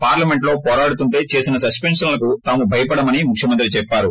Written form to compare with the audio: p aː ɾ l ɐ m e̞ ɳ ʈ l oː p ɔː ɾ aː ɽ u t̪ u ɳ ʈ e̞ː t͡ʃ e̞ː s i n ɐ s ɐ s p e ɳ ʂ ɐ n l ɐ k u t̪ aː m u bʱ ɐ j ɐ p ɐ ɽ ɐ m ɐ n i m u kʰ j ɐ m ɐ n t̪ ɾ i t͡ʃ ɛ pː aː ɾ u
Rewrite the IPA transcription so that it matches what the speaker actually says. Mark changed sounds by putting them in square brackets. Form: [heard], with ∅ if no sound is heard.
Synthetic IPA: p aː ɾ l ɐ m e̞ ɳ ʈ l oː p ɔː ɾ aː ɽ u t̪ u ɳ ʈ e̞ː t͡ʃ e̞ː s i n ɐ s ɐ s p e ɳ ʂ ɐ n l ɐ k u t̪ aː m u bʱ ɐ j ɐ p ɐ ɽ ɐ m ɐ n i m u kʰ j ɐ m ɐ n t̪ ɾ i t͡ʃ ɛ pː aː ɾ u